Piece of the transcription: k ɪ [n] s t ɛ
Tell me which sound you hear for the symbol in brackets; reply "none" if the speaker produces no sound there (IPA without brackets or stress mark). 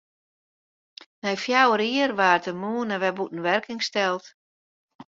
ŋ